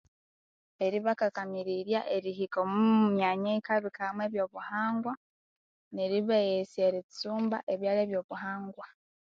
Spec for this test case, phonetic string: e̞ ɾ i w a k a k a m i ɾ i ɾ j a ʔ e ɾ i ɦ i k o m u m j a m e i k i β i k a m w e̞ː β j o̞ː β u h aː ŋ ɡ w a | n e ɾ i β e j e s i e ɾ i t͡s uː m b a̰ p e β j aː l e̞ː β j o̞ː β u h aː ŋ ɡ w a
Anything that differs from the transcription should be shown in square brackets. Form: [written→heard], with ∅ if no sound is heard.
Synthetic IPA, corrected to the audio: e̞ ɾ i [w→β] a k a k a m i ɾ i ɾ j a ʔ e ɾ i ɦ i k o m u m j a [m→ɲ] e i k [i→a] β i k a m w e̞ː β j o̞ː β u h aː ŋ ɡ w a | n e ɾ i β e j e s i e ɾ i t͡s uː m b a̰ [p→ʔ] e β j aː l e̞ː β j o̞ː β u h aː ŋ ɡ w a